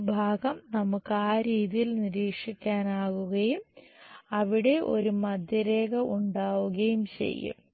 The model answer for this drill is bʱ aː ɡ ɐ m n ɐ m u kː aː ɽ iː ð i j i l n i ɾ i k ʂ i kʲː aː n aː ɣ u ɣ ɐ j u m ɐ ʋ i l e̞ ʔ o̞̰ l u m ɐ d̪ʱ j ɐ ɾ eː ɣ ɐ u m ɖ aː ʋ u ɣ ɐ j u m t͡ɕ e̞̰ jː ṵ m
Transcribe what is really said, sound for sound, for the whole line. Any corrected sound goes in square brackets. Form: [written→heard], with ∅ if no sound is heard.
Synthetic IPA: bʱ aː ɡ ɐ m n ɐ m u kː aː [ɽ→ɾ] iː ð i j i l n i ɾ [i→iː] k ʂ i kʲː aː n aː ɣ u ɣ ɐ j u m ɐ ʋ i [l→ɽ] e̞ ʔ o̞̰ [l→ɾ] u m ɐ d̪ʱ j ɐ ɾ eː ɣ ɐ u [m→ɳ] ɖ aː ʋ u ɣ ɐ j u m t͡ɕ e̞̰ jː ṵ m